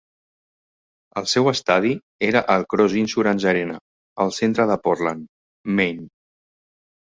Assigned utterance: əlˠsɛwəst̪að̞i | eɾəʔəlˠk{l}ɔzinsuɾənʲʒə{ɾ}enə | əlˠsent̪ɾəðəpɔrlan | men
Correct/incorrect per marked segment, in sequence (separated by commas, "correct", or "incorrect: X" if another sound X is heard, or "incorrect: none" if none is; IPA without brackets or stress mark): incorrect: ɾ, correct